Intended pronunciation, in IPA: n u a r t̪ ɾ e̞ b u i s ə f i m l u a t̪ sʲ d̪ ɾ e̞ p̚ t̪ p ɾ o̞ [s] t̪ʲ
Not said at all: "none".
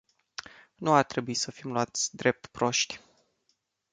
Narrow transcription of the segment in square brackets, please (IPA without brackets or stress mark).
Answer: ʃ